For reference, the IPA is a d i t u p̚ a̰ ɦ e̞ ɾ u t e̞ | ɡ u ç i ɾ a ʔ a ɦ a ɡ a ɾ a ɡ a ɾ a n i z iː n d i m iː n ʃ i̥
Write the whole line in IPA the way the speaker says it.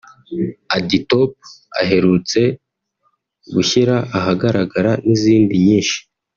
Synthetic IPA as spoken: a d i t o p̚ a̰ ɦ e̞ ɾ u t͡s e̞ | ɡ u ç i ɾ a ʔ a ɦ a ɡ a ɾ a ɡ a ɾ a n i z iː n d i ɲ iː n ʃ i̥